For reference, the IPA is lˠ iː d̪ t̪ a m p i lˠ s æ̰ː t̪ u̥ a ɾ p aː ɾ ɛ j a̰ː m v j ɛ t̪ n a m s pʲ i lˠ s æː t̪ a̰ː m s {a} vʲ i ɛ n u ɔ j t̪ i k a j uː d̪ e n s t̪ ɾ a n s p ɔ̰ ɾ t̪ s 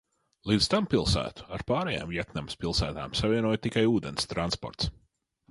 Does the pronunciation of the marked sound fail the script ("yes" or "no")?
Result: no